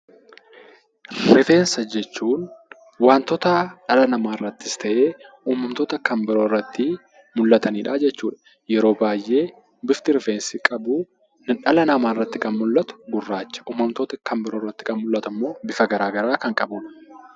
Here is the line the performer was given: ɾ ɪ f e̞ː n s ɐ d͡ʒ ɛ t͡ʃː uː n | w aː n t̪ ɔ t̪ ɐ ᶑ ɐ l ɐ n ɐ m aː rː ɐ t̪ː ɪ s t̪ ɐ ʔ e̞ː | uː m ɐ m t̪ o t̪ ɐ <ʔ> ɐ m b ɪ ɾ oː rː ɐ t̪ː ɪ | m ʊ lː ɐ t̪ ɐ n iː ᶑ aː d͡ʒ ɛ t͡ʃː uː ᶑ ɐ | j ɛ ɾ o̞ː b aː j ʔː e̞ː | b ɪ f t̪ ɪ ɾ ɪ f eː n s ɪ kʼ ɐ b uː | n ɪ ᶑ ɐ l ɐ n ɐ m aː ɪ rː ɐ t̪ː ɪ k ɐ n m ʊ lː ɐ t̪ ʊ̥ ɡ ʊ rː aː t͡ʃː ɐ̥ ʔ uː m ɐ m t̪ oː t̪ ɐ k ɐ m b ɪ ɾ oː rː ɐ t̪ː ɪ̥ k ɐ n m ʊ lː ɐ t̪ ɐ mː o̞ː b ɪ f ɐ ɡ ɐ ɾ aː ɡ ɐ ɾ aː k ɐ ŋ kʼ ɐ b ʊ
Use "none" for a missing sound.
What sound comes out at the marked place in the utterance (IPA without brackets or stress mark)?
k